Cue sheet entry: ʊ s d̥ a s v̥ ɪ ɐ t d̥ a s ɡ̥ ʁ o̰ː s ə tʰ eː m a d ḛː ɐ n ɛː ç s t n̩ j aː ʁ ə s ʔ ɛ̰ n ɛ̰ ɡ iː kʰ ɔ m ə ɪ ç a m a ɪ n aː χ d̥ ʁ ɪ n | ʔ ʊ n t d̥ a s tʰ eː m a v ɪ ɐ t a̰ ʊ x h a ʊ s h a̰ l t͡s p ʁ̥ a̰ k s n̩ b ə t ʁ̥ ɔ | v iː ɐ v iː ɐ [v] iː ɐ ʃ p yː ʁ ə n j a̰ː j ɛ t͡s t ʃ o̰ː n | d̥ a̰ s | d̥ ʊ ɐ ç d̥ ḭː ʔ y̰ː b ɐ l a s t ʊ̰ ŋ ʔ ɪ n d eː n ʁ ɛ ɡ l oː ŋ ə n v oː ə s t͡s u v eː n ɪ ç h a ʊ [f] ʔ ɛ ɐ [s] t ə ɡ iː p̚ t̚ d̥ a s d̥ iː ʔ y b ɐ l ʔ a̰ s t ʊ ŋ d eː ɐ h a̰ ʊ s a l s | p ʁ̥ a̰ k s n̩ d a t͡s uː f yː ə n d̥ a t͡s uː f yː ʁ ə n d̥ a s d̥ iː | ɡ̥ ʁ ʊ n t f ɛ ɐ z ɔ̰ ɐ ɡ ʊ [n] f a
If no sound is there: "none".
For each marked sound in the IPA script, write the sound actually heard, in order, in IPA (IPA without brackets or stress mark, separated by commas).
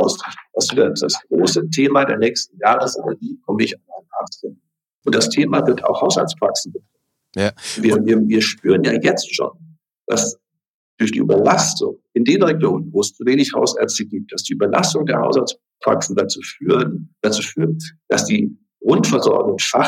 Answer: v, s, t͡s, ŋ